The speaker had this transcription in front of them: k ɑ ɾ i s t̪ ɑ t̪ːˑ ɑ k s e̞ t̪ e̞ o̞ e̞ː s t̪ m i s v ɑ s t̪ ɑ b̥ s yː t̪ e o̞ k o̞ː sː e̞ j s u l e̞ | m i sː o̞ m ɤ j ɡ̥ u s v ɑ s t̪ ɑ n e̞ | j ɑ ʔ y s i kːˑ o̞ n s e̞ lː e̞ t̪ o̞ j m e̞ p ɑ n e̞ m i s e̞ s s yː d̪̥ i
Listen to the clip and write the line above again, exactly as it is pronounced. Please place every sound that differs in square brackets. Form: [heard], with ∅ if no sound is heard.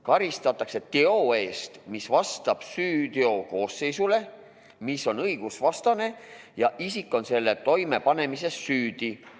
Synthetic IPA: k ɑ ɾ i s t̪ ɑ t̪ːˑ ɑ k s e̞ t̪ e̞ o̞ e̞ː s t̪ m i s v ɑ s t̪ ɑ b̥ s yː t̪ e o̞ k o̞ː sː e̞ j s u l e̞ | m i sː o̞ [n] ɤ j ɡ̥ u s v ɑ s t̪ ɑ n e̞ | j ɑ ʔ [i] s i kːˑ o̞ n s e̞ lː e̞ t̪ o̞ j m e̞ p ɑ n e̞ m i s e̞ s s yː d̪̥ i